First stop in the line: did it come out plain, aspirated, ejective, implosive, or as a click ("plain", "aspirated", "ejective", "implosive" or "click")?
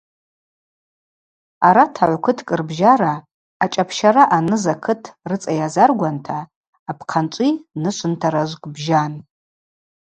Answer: aspirated